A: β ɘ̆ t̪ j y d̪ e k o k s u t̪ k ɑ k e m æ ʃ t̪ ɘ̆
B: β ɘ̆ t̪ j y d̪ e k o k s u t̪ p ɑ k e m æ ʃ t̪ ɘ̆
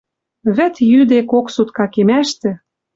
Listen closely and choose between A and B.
A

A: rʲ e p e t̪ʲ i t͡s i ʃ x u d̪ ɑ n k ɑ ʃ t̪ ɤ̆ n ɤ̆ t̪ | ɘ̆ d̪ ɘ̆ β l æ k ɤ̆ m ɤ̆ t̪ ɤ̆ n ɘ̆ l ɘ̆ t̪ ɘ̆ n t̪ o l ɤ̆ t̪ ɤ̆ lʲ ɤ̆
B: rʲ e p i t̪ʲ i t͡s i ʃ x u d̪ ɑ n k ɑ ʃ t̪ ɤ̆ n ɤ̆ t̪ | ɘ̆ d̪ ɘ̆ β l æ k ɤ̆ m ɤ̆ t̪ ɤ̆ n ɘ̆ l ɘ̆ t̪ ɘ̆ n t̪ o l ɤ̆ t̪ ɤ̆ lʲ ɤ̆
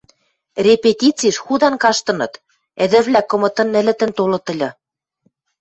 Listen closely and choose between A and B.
A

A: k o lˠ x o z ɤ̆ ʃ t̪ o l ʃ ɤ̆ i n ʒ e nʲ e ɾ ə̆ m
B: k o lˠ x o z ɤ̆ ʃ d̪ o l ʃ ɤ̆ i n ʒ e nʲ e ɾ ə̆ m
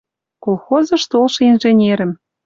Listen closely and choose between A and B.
A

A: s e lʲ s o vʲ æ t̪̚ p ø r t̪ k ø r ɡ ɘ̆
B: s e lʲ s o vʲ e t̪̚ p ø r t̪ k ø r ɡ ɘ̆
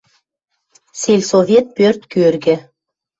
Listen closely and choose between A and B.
B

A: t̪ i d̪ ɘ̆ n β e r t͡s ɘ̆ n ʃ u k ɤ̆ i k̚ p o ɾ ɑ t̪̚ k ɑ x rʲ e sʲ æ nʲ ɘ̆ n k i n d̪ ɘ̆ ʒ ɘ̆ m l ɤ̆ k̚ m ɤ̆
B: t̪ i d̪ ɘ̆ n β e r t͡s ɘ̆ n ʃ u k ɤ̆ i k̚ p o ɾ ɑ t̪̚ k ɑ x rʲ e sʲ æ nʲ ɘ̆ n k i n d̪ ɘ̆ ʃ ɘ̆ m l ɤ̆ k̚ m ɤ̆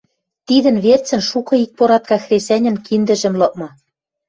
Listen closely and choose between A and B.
A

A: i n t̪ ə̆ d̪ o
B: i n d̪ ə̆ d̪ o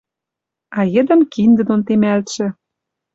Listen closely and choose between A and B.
B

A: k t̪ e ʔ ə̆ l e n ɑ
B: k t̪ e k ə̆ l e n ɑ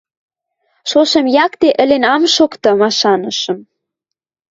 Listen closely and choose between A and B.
A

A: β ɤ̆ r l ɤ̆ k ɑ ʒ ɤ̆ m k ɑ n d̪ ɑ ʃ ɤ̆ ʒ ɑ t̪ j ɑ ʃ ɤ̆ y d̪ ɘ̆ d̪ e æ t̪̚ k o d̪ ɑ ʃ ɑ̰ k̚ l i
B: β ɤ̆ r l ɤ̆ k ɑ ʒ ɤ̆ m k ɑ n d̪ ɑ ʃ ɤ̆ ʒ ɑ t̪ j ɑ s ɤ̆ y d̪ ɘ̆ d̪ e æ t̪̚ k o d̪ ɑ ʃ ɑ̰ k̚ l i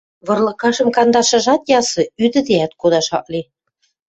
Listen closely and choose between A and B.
B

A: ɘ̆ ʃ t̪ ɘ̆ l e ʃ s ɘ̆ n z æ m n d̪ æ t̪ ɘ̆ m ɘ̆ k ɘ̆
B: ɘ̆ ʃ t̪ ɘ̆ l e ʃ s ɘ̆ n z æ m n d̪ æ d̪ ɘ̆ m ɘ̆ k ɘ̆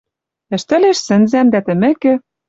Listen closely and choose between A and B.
A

